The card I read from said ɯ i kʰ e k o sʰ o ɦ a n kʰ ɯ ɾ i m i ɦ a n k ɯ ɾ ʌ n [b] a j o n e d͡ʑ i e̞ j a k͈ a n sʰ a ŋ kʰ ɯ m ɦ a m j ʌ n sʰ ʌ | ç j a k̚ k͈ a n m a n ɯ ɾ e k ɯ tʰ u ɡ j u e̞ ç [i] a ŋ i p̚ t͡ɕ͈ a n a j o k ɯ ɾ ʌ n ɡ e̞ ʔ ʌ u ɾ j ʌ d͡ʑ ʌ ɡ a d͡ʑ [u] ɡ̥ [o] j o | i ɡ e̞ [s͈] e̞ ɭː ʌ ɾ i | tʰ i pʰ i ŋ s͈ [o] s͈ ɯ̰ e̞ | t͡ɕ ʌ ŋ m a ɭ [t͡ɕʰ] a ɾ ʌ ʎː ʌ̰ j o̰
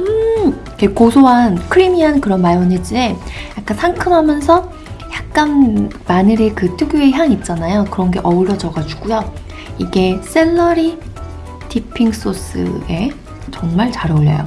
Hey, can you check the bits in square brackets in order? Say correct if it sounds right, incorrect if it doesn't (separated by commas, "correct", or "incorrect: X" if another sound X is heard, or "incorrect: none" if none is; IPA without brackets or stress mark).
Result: incorrect: m, incorrect: j, correct, incorrect: u, correct, correct, incorrect: t͡ɕ